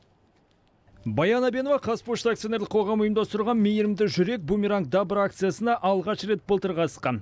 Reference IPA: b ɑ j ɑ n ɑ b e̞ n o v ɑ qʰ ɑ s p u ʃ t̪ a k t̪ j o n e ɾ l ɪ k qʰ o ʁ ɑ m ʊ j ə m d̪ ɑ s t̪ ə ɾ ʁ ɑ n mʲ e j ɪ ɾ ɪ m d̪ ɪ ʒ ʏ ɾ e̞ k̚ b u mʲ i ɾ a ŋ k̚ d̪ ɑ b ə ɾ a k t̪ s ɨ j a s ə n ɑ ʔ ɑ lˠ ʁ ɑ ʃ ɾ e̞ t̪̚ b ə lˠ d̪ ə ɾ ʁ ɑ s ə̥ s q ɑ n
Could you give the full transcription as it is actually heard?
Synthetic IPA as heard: b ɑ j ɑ n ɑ b e̞ n o v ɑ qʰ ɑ s p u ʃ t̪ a k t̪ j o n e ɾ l ɪ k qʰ o ʁ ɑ m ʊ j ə m d̪ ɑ s t̪ ə ɾ ʁ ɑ n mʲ e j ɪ ɾ ɪ m d̪ ɪ ʒ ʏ ɾ e̞ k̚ b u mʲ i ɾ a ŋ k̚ d̪ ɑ b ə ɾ a k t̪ s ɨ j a s ə n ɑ ʔ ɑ lˠ ʁ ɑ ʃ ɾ e̞ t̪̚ b ə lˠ t̪ ə ɾ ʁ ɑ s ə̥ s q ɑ n